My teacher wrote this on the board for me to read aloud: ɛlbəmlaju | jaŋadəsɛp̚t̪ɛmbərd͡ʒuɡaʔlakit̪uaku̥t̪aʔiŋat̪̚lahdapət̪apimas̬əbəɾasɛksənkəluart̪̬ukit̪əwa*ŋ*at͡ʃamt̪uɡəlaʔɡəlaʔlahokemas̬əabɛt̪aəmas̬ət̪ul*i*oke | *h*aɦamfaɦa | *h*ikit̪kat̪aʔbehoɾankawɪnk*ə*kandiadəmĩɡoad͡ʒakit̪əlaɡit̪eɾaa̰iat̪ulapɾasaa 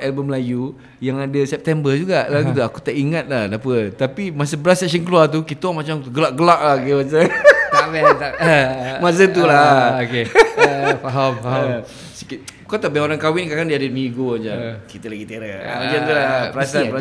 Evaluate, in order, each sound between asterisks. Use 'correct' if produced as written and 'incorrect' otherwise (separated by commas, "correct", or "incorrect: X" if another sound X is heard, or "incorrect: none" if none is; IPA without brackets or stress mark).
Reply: incorrect: m, incorrect: a, incorrect: f, incorrect: s, incorrect: a